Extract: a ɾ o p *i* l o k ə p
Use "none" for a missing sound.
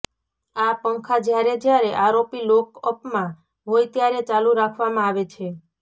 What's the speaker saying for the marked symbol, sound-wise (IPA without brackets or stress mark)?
i